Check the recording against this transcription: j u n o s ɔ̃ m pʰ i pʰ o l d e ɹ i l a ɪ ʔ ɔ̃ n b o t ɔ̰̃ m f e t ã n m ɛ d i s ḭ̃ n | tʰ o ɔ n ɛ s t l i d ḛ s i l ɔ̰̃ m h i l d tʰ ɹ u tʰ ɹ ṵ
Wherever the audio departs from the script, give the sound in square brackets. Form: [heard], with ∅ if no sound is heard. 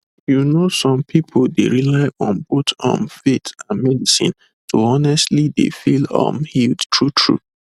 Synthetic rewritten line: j u n o s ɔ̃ m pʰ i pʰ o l d e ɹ i l a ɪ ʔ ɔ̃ n b o t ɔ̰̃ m f e t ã n m ɛ d i s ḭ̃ n | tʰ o ɔ n ɛ s t l i d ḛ [f] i l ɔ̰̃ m h i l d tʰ ɹ u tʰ ɹ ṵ